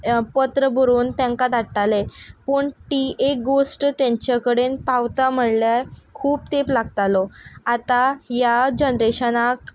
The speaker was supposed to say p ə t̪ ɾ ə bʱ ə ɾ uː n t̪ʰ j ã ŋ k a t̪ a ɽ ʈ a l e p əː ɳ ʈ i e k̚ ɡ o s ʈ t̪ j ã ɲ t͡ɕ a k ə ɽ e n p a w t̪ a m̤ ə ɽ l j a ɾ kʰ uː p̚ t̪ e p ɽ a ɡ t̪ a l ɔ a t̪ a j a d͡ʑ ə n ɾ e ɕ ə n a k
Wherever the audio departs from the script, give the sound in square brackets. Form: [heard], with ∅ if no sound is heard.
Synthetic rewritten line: p ə t̪ ɾ ə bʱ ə ɾ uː n [t̪] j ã ŋ k a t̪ a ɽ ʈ a l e p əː ɳ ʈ i e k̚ ɡ o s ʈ t̪ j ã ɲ t͡ɕ a k ə ɽ e n p a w t̪ a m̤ ə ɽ l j a ɾ kʰ uː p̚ t̪ e p [l] a ɡ t̪ a l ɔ a t̪ a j a d͡ʑ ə n ɾ e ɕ ə n a k